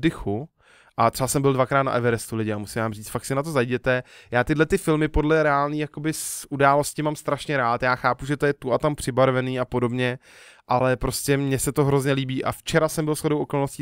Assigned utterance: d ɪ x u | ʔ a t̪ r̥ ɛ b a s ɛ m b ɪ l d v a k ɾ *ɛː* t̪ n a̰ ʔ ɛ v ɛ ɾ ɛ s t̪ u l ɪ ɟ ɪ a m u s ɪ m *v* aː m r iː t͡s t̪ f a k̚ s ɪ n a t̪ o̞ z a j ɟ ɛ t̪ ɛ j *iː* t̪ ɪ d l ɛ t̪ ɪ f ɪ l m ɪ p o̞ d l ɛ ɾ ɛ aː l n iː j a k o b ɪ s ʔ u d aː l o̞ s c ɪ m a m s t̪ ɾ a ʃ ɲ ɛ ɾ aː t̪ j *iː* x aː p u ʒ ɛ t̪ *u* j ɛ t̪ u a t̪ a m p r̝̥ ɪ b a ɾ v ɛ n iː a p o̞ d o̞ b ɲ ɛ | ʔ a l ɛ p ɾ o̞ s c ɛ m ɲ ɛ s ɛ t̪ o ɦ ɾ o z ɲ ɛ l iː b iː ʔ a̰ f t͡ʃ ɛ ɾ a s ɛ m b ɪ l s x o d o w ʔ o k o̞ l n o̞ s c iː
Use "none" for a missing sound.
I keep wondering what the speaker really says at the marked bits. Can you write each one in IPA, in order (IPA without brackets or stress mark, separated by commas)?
aː, v, aː, aː, o